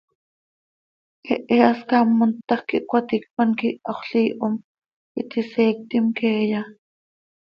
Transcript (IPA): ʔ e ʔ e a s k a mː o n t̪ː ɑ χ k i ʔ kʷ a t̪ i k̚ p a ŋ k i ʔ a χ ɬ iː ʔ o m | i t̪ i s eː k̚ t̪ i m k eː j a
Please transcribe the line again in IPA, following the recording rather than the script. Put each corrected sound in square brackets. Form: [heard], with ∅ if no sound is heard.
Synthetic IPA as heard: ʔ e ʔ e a s k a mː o n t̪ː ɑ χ k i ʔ kʷ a t̪ i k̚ p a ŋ k i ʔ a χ ɬ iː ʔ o m | i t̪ i s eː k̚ t̪ i m k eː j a

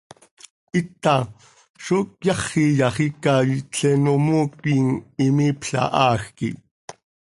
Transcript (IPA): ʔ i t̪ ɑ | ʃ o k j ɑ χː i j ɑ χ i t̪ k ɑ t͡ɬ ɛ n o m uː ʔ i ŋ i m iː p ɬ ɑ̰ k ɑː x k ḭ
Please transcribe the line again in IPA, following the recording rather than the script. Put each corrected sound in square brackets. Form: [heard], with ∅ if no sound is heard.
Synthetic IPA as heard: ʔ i t̪ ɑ | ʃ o k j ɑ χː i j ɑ χ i [∅] k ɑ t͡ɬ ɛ n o m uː [k] i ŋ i m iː p ɬ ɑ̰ [ʔ] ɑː x k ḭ

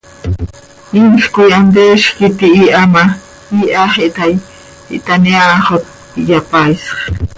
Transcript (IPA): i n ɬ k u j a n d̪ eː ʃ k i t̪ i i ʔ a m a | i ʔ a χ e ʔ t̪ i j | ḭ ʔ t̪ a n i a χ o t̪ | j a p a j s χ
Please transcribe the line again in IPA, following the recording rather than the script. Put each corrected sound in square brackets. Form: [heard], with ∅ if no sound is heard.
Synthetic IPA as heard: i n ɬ k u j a n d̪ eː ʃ k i t̪ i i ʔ a m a | i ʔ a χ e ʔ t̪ [a] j | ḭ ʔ t̪ a n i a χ o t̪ | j a p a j s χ

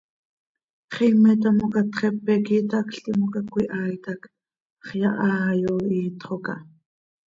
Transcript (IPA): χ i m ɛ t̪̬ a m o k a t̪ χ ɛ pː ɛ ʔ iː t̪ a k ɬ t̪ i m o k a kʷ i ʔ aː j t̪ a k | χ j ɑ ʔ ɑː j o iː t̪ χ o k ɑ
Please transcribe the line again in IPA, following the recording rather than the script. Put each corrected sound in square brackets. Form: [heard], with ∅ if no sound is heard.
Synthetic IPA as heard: χ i m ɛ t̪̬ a m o k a t̪ χ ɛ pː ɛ [k] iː t̪ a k ɬ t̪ i m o k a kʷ i ʔ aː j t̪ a k | χ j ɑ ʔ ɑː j o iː t̪ χ o k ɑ

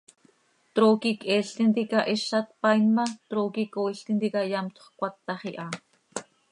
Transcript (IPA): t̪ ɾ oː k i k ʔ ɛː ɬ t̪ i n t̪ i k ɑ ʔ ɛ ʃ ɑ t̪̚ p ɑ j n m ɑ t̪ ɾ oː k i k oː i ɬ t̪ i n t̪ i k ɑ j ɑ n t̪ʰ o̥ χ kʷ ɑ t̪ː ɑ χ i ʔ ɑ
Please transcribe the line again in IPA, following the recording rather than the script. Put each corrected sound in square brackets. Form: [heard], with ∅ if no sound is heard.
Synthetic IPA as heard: t̪ ɾ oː k i k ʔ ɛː ɬ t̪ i n t̪ i k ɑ ʔ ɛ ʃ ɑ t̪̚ p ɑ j n m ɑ t̪ ɾ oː k i k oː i ɬ t̪ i n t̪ i k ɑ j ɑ [m] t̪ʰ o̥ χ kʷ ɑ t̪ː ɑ χ i ʔ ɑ

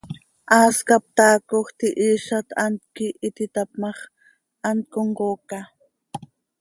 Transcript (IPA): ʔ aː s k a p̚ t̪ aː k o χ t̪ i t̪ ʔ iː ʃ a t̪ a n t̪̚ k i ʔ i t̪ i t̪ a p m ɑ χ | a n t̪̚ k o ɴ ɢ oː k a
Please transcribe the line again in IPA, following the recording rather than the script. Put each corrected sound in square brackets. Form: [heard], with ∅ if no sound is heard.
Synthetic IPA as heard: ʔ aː s k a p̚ t̪ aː k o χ t̪ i [∅] ʔ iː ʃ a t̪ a n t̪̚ k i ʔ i t̪ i t̪ a p m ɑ χ | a n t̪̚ k o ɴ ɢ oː k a

